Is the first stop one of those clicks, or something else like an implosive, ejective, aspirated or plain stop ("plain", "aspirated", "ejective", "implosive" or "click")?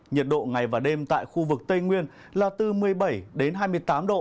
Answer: plain